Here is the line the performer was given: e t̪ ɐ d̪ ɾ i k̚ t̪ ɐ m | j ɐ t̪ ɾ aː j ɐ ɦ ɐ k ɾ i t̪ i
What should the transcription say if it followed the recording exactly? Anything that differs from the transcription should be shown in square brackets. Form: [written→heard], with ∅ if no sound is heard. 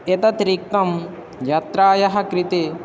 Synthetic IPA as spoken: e t̪ ɐ [d̪→t̪] ɾ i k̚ t̪ ɐ m | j ɐ t̪ ɾ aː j ɐ ɦ ɐ k ɾ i t̪ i